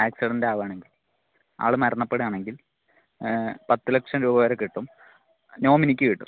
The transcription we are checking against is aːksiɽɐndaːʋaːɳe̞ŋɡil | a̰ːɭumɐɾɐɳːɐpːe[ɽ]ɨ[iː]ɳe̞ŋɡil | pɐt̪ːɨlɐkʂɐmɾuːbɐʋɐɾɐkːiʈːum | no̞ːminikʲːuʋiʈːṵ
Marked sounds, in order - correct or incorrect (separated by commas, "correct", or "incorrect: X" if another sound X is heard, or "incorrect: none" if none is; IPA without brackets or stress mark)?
correct, incorrect: aː